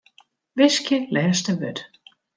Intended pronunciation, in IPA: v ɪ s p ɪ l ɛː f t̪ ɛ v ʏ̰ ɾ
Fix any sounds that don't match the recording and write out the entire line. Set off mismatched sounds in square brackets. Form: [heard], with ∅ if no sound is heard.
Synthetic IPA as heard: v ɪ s [c] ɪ l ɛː [s] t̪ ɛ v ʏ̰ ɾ